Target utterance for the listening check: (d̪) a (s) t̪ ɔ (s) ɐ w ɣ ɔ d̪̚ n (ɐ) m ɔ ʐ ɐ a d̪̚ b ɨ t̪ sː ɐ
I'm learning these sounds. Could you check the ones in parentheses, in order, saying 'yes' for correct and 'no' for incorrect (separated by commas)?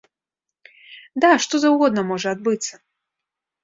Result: yes, no, no, yes